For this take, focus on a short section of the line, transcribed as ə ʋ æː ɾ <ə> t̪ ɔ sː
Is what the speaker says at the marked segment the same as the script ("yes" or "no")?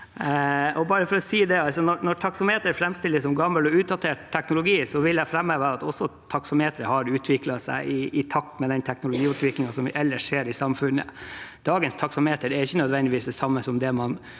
no